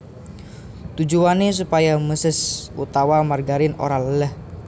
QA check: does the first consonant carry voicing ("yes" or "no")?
no